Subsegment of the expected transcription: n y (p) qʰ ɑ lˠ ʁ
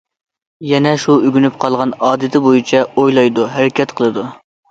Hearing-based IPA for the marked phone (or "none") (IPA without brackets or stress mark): p